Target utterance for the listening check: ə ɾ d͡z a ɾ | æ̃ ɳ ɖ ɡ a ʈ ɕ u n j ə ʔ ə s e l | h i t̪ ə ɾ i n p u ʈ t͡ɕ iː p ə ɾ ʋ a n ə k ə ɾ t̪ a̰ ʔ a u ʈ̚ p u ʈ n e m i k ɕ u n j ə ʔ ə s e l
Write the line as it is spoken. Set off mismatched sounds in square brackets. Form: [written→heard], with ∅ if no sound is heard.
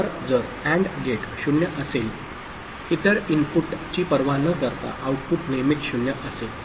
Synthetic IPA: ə ɾ d͡z [a→ə] ɾ | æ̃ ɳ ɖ ɡ [a→e] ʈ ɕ u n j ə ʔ ə s e l | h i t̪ ə ɾ i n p u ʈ t͡ɕ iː p ə ɾ ʋ a n ə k ə ɾ t̪ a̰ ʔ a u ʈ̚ p u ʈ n e m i k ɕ u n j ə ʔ ə s e l